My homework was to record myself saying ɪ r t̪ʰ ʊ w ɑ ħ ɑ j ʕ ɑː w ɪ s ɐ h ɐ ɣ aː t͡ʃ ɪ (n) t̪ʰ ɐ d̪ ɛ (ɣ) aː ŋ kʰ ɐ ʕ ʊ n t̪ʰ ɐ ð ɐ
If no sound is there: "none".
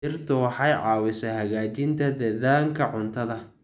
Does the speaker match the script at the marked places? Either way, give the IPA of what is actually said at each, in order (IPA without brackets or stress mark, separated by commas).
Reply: n, ð